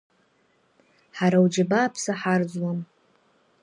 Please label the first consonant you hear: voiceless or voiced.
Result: voiceless